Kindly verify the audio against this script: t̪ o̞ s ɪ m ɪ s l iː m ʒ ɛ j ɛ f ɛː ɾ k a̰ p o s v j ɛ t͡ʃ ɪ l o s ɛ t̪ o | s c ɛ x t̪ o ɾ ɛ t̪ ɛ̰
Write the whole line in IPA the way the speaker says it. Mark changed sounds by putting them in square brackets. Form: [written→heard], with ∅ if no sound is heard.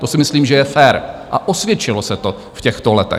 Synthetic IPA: t̪ o̞ s ɪ m ɪ s l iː m ʒ ɛ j ɛ f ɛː ɾ [k→ʔ] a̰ [p→ʔ] o s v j ɛ t͡ʃ ɪ l o s ɛ t̪ o | [s→f] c ɛ x t̪ o [ɾ→l] ɛ t̪ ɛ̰